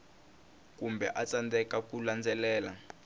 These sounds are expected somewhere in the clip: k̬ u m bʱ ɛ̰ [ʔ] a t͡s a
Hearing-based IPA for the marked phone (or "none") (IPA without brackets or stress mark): ʔ